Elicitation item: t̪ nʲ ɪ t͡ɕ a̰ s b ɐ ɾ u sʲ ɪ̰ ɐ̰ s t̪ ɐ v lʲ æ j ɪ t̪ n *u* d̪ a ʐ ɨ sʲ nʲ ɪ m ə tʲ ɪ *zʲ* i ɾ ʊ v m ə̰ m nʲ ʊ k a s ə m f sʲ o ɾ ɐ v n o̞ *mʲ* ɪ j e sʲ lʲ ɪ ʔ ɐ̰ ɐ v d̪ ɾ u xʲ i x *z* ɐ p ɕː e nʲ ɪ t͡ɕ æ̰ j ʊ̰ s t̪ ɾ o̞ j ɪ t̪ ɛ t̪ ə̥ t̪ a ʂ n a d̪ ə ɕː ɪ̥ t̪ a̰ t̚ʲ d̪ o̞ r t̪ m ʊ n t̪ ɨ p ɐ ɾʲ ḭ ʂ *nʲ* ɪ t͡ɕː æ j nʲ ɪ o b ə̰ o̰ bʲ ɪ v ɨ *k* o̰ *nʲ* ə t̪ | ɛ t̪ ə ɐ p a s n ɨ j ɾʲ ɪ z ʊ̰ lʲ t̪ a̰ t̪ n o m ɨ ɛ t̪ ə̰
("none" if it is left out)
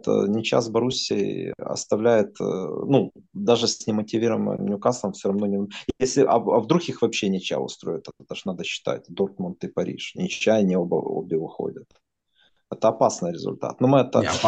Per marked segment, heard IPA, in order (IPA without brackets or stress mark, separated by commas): u, vʲ, nʲ, v, nʲ, x, dʲ